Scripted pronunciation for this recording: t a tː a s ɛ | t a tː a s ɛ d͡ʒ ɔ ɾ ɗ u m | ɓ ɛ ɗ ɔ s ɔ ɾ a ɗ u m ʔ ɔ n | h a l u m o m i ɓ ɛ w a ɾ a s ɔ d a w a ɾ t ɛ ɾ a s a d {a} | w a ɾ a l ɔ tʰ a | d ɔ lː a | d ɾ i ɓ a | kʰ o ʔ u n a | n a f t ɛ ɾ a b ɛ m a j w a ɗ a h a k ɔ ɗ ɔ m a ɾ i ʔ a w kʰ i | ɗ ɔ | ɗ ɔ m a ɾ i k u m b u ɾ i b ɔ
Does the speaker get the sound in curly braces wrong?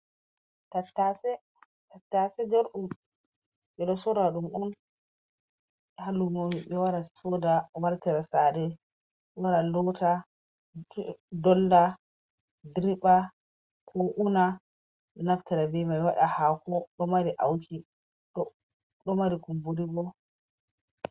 yes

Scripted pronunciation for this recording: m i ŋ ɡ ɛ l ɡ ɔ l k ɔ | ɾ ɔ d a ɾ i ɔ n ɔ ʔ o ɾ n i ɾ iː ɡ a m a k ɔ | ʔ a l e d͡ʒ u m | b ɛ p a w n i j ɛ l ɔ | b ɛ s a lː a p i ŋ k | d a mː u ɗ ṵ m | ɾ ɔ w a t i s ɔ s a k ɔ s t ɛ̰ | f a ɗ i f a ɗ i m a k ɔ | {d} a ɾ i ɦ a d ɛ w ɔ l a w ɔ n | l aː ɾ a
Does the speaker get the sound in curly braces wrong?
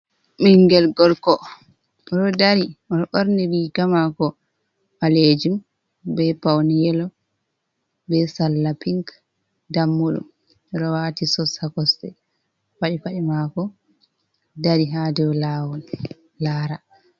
no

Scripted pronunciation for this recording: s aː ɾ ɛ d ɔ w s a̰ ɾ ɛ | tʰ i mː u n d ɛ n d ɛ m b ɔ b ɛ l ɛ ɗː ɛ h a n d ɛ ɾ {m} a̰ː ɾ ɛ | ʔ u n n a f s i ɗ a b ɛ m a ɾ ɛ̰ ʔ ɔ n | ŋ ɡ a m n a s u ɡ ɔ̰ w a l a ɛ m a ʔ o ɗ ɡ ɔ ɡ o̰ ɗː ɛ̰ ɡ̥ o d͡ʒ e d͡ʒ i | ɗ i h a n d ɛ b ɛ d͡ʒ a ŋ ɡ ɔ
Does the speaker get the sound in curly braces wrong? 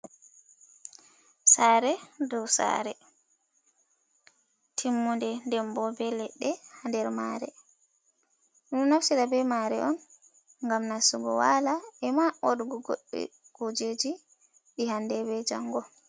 no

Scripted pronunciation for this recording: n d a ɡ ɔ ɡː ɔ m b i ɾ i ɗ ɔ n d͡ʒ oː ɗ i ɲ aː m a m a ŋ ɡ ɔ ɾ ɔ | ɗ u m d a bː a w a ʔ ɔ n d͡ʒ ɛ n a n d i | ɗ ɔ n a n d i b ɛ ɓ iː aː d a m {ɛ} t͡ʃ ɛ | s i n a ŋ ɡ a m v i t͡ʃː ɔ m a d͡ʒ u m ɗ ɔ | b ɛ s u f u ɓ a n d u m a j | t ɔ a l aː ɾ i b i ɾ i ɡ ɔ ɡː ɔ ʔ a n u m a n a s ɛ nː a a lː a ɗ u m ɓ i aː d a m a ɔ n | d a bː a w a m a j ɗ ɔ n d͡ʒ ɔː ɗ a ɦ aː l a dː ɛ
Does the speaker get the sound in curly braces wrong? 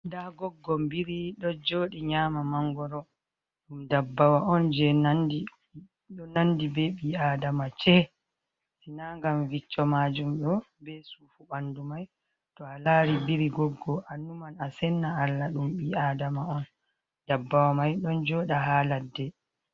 yes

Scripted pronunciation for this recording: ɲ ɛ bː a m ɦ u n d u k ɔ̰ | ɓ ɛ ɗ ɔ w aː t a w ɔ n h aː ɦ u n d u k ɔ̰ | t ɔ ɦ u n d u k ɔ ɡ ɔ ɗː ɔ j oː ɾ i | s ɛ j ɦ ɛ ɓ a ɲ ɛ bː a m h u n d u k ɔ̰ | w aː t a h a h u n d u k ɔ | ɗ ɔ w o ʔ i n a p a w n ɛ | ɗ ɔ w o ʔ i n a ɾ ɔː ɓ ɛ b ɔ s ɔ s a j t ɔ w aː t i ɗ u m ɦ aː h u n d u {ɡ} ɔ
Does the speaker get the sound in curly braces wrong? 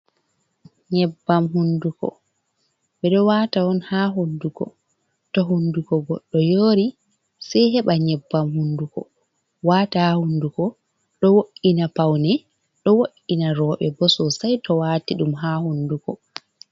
yes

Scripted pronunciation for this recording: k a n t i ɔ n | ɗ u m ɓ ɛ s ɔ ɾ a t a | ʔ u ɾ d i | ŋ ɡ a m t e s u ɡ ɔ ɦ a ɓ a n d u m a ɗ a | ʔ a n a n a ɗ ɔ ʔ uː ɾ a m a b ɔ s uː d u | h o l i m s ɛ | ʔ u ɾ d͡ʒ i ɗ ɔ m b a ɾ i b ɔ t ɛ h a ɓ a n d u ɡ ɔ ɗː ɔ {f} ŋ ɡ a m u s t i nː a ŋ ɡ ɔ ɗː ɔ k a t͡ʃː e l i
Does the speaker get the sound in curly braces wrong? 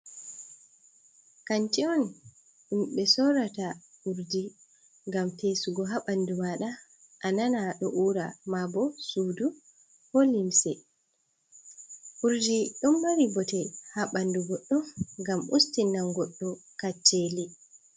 no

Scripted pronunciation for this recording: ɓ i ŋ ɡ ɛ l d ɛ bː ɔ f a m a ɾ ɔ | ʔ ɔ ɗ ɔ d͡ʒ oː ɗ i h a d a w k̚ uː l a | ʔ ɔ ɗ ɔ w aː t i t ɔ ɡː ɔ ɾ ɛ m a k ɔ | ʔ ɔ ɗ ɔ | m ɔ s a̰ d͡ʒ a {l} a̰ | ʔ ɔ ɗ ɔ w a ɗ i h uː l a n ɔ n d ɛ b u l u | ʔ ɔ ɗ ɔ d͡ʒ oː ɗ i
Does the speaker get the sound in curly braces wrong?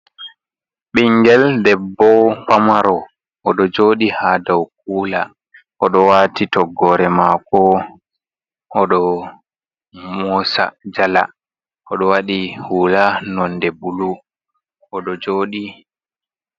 no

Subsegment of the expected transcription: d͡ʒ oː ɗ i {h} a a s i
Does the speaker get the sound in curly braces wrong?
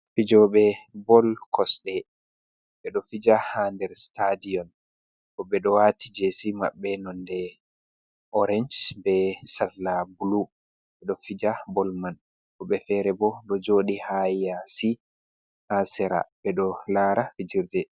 no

